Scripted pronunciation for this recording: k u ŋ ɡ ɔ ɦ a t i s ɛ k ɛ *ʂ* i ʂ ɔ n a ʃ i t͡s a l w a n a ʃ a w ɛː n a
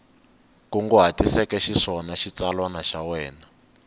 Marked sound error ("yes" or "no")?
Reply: yes